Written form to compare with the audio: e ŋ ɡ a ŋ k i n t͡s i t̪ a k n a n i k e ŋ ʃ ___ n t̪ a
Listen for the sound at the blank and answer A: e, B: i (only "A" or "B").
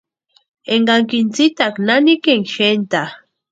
A